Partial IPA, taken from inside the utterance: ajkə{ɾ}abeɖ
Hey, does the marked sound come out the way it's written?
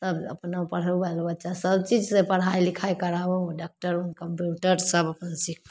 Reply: yes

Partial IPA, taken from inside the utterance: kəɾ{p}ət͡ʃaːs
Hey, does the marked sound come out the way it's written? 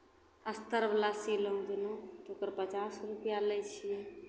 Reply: yes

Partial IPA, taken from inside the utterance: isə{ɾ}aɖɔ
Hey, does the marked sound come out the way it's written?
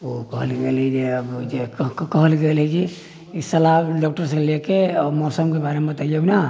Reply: no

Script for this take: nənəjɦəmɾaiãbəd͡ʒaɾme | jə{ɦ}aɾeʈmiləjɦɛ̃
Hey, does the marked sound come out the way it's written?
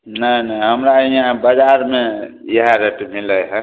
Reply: yes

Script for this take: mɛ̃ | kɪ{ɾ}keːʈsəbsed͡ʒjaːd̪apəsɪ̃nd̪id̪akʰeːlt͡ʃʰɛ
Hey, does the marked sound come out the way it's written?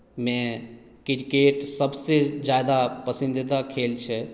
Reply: yes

